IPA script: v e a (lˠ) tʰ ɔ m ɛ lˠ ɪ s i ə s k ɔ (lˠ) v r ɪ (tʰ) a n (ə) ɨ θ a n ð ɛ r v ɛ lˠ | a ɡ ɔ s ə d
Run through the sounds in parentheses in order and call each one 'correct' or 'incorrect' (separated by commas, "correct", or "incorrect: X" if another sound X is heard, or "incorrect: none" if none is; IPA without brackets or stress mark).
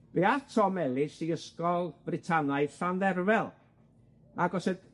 incorrect: none, correct, correct, incorrect: a